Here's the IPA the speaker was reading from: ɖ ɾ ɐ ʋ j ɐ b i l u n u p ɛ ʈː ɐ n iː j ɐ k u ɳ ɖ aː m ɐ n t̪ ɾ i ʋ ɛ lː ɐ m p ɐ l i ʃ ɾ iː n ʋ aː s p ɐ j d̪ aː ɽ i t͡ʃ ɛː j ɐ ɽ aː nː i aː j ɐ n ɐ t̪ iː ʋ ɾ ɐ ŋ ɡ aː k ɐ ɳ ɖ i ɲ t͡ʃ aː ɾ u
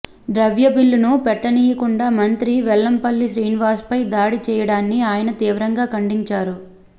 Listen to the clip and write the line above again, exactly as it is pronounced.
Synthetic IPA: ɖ ɾ ɐ ʋ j ɐ b i lː u n u p ɛ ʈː ɐ n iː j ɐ k u ɳ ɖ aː m ɐ n t̪ ɾ i ʋ ɛ lː ɐ m p ɐ lː i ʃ ɾ iː n ʋ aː s p ɐ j d̪ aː ɽ i t͡ʃ ɛː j ɐ ɽ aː nː i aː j ɐ n ɐ t̪ iː ʋ ɾ ɐ ŋ ɡ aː k ɐ ɳ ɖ i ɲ t͡ʃ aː ɾ u